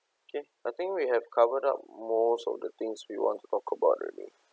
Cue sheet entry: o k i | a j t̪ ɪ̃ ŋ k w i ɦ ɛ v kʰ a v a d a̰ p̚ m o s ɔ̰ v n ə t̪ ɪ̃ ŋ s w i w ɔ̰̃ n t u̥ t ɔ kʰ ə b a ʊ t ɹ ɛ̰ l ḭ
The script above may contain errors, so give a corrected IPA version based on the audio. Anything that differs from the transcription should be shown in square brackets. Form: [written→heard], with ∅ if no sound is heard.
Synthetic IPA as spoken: o k [i→e] | a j t̪ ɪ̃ ŋ k w i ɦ ɛ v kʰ a v [a→ə] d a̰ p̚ m o s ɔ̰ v [n→d] ə t̪ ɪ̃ ŋ s w i w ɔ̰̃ n t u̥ t ɔ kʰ ə b a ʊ t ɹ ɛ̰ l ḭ